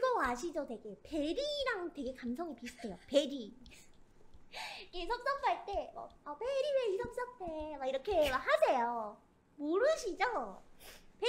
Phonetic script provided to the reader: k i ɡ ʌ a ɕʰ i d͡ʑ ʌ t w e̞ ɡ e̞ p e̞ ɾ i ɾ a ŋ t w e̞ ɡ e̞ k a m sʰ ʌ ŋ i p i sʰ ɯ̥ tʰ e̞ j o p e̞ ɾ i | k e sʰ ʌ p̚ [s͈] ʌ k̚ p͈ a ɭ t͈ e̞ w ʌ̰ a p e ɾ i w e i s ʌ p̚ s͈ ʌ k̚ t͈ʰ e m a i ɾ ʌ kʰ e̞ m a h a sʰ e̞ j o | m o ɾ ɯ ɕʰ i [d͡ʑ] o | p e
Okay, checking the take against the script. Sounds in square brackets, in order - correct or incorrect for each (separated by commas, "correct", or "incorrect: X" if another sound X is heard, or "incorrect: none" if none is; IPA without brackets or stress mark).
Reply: correct, correct